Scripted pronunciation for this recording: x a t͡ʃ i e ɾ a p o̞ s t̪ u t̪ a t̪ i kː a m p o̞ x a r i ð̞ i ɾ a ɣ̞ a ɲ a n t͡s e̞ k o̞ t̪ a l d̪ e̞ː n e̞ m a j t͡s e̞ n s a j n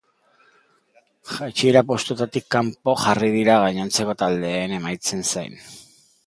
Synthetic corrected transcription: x a t͡ʃ i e ɾ a p o̞ s t̪ u t̪ a t̪ i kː a m p o̞ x a r i ð̞ i ɾ a ɣ̞ a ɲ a n t͡s e̞ k o̞ t̪ a l d̪ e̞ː n e̞ m a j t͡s e̞ n s a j n